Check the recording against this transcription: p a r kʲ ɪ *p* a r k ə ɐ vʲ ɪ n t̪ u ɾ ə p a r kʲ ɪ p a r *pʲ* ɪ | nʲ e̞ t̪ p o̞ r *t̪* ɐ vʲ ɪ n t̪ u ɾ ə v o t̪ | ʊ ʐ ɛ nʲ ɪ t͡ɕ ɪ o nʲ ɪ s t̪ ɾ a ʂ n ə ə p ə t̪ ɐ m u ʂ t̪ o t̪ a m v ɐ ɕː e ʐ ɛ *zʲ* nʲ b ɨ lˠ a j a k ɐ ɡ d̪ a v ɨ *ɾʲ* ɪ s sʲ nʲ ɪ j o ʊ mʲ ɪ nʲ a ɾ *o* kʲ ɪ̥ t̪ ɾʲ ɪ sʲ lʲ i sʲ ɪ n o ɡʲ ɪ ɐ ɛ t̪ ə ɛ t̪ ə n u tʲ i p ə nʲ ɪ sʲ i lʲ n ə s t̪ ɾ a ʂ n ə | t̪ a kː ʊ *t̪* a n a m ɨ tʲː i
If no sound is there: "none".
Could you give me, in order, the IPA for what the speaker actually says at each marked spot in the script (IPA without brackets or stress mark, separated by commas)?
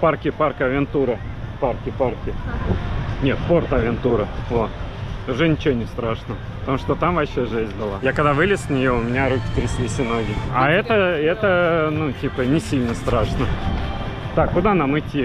p, kʲ, t̪, zʲ, lʲ, u, d̪